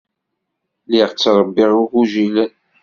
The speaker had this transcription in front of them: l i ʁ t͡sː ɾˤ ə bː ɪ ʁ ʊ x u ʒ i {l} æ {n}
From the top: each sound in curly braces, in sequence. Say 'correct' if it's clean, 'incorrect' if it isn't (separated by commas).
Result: correct, correct